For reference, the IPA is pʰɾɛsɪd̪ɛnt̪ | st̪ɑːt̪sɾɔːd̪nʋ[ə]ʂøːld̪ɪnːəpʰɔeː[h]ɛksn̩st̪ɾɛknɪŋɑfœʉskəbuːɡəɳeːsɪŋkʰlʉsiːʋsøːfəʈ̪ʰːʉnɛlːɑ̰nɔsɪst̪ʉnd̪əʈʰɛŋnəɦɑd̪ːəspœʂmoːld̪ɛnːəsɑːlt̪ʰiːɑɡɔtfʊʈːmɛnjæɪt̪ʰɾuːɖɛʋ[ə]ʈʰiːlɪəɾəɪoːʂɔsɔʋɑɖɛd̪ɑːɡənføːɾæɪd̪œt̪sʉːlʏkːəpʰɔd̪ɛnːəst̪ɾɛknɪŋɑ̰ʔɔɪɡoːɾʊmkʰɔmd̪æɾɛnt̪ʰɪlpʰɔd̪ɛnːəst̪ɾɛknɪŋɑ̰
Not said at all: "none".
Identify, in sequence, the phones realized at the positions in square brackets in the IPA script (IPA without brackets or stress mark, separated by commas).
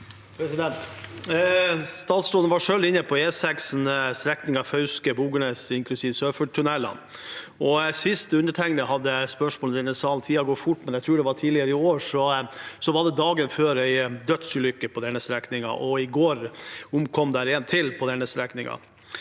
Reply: ɑ, s, ɑ